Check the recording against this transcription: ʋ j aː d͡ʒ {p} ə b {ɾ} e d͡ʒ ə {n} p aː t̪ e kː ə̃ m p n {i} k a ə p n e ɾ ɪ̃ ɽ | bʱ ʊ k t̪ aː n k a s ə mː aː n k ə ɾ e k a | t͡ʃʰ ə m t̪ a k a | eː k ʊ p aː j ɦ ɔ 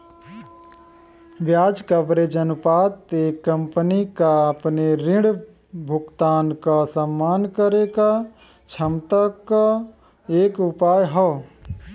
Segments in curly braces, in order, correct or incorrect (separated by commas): incorrect, correct, correct, correct